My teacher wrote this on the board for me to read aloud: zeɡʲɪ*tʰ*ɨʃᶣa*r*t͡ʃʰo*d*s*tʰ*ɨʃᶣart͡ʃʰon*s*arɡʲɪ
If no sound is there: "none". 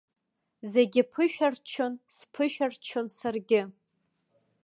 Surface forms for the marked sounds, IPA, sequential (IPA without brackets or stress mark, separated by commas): pʰ, r, n, pʰ, s